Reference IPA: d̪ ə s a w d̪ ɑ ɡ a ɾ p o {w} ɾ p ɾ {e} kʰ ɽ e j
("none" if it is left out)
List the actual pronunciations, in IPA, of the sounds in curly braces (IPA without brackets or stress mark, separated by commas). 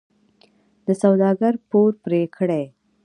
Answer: none, e